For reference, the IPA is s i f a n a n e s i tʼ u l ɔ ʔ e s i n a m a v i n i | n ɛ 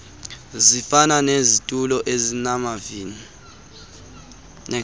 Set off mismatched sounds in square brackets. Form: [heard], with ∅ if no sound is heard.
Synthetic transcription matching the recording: [z] i f a n a n e [z] i tʼ u l ɔ ʔ e [z] i n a m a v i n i | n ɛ